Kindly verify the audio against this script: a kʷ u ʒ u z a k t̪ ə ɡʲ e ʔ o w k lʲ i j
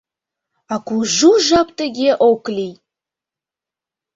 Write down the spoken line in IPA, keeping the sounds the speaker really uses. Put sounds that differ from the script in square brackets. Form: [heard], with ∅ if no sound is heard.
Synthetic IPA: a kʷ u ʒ u [ʒ] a [p] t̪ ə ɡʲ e ʔ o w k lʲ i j